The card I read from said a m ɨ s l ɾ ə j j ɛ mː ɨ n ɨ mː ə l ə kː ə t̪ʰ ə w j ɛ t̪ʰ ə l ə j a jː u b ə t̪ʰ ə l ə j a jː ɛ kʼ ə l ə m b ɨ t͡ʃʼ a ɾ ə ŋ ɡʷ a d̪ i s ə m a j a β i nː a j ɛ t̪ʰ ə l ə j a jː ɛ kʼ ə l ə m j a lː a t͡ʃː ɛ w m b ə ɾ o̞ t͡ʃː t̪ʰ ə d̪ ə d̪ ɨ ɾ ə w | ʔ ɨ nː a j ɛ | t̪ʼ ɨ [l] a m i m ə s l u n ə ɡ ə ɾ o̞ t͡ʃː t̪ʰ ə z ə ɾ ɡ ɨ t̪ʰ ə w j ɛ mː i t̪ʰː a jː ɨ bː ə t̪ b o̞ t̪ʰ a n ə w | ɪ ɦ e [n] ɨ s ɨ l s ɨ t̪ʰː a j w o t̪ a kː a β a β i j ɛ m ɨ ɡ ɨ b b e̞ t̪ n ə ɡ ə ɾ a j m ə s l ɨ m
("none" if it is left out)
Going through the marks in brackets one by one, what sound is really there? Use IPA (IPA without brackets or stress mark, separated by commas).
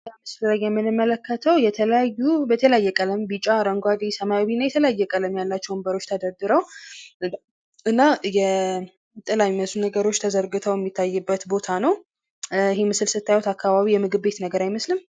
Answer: l, m